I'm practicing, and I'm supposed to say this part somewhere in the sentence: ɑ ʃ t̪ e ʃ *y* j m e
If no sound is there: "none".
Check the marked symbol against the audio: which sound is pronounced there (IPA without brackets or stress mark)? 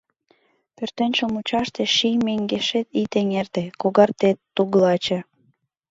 i